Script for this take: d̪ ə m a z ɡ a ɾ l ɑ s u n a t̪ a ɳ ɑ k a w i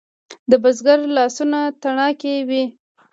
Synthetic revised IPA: d̪ ə b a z ɡ a ɾ l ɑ s u n a t̪ a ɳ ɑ k e w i